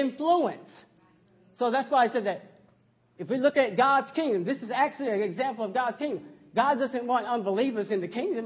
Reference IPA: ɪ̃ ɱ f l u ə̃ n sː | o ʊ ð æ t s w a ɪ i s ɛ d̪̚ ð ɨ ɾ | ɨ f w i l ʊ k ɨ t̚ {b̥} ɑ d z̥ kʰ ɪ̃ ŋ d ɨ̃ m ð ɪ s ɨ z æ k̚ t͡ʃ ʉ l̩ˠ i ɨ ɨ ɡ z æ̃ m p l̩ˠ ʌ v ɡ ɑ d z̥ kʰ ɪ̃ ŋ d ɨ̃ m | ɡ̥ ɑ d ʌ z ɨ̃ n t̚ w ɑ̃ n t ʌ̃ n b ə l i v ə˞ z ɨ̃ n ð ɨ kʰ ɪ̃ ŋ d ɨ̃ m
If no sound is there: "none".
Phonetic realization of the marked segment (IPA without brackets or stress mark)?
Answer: ɡ̥